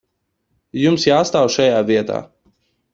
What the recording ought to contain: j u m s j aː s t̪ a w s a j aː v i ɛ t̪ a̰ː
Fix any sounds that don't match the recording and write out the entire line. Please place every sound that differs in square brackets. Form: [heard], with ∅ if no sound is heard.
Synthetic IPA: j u m s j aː s t̪ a w [ʃ] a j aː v i ɛ t̪ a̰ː